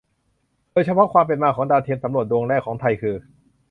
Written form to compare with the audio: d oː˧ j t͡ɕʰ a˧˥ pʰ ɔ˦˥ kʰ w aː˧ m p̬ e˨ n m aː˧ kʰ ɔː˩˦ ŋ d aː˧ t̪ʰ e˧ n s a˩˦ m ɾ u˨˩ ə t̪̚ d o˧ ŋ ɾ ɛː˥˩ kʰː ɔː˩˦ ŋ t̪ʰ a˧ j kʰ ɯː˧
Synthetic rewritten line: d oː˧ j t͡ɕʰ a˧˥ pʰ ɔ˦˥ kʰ w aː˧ m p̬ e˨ n m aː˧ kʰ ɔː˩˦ ŋ d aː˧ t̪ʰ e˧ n s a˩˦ m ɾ u˨˩ ə t̪̚ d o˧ ŋ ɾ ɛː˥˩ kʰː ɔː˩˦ ŋ t̪ʰ a˧ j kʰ ɯː˧